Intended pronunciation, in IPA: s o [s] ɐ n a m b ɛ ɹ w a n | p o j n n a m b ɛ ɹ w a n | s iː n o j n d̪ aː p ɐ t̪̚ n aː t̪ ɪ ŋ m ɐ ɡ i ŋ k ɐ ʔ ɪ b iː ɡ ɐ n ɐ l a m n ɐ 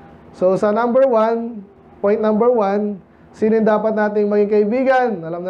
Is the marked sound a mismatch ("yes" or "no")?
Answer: no